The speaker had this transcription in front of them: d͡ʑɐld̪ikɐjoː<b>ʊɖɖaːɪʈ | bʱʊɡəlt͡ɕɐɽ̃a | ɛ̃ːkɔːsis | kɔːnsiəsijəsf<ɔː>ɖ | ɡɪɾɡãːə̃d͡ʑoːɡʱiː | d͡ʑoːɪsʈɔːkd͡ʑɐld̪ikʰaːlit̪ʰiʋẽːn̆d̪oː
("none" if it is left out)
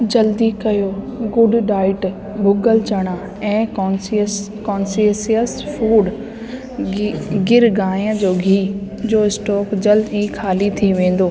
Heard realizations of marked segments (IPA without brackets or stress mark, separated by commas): ɡ, uː